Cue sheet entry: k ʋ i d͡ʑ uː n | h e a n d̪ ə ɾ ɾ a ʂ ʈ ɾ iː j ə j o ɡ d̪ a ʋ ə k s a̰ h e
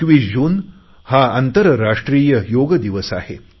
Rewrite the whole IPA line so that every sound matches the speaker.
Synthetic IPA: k ʋ i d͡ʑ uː n | h a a n t̪ ə ɾ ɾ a ʂ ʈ ɾ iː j ə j o ɡ d̪ i ʋ ə s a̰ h e

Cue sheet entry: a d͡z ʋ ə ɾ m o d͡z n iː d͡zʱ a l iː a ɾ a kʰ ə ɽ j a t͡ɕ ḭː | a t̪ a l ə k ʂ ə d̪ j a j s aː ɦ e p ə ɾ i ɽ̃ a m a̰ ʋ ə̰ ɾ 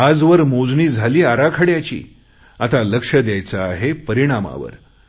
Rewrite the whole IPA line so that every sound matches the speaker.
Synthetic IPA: a d͡z ʋ ə ɾ m o d͡z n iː d͡zʱ a l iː a ɾ a kʰ ə ɽ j a t͡ɕ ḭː | a t̪ a l ə k ʂ ə d̪ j a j t͡s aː ɦ e p ə ɾ i ɽ̃ a m a̰ ʋ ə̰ ɾ

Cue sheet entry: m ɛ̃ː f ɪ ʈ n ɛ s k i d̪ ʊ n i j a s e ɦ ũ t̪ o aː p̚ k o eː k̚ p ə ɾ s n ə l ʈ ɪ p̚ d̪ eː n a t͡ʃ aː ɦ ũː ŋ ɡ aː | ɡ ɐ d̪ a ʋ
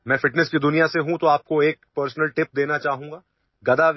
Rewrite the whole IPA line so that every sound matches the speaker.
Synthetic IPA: m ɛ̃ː f ɪ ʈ n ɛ s k i d̪ ʊ n i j a s e ɦ ũ t̪ o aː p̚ k o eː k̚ p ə ɾ s n ə l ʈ ɪ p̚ d̪ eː n a t͡ʃ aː ɦ ũː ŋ ɡ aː | ɡ ɐ d̪ a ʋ

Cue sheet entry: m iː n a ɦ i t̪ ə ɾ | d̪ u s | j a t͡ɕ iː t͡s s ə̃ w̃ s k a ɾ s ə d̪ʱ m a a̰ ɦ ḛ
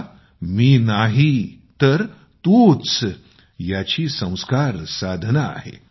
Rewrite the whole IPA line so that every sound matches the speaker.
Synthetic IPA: m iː n a ɦ i t̪ ə ɾ | t̪ u t͡s | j a t͡ɕ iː s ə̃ w̃ s k a ɾ s a d̪ʱ n a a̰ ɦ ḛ

